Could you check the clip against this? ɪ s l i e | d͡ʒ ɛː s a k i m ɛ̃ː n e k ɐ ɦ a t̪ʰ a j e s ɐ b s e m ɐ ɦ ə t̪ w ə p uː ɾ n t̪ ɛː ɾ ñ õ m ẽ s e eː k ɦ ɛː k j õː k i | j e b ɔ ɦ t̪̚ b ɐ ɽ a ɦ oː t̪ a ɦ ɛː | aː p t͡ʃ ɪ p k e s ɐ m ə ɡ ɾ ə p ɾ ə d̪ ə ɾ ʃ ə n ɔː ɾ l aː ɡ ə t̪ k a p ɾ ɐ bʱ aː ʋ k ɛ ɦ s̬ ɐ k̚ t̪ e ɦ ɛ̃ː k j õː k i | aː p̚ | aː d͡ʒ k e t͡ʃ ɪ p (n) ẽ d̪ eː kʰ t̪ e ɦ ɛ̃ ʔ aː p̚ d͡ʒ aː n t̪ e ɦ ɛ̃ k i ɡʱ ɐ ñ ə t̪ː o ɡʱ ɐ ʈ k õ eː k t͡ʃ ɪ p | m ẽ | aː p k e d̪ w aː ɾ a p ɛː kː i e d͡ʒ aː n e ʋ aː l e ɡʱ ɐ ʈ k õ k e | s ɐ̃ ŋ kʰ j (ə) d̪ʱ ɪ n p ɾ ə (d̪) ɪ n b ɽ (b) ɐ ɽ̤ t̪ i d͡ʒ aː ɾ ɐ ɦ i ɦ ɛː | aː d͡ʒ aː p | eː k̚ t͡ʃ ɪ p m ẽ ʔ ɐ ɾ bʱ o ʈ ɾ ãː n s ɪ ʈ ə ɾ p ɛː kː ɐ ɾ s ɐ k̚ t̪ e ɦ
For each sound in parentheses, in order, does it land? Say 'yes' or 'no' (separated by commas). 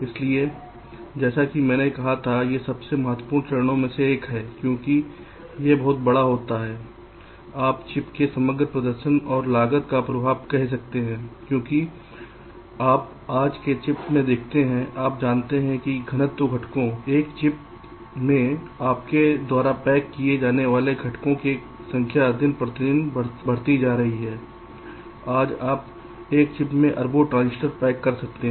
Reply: no, no, no, yes